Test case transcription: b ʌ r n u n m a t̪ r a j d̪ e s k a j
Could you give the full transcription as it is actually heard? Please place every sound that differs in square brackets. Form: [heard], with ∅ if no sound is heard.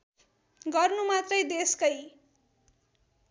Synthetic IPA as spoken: [ɡ] ʌ r n u [∅] m a t̪ r [ʌ] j d̪ e s k [ʌ] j